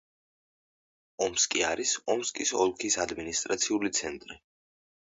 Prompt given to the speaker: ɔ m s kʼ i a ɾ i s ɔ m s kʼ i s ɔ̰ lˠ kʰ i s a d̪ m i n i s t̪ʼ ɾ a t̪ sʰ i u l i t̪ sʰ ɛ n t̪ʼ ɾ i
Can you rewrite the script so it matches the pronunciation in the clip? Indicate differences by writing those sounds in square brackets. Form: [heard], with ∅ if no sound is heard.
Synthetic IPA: ɔ m s kʼ i a ɾ i s ɔ m s kʼ i s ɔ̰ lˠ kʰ i s a d̪ m i n i s t̪ʼ ɾ a t̪ sʰ i u l i t̪ sʰ ɛ n t̪ʼ ɾ i